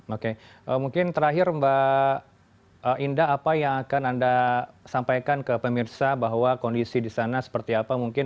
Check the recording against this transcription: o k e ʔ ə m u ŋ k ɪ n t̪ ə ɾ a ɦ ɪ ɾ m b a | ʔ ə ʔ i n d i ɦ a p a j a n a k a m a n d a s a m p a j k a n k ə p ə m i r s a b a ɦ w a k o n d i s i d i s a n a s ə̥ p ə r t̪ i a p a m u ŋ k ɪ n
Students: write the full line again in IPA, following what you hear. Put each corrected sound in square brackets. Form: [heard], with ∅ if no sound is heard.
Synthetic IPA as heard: o k e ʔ ə m u ŋ k ɪ n t̪ ə ɾ a ɦ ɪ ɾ m b a | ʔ ə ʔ i n d [a] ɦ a p a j a [ŋ] a k a [n] a n d a s a m p a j k a n k ə p ə m i r s a b a ɦ w a k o n d i s i d i s a n a s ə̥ p ə r t̪ i a p a m u ŋ k ɪ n